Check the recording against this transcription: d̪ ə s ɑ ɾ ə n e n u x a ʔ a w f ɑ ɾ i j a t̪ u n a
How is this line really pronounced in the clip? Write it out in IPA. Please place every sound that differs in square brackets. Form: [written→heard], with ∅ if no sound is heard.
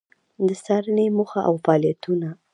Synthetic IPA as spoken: d̪ ə s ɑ ɾ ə n e [n→m] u x a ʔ a w f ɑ [ɾ→l] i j a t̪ u n a